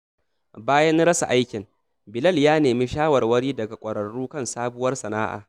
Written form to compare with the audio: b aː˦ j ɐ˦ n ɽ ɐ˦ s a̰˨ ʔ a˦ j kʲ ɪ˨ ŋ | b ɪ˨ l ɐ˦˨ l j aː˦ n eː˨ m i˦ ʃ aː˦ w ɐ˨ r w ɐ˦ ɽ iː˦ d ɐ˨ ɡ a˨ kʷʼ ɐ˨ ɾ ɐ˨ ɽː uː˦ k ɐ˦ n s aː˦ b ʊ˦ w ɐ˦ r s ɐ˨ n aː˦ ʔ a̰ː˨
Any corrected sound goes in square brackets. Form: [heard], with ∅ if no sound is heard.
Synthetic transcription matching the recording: b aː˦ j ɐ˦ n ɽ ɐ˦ s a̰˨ ʔ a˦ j kʲ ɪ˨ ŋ | b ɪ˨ l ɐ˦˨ l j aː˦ n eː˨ m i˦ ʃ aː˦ w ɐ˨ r w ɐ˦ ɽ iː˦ d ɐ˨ ɡ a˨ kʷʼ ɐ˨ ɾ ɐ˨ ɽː uː˦ k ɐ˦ n s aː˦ b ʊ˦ w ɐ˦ r s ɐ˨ n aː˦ ʔ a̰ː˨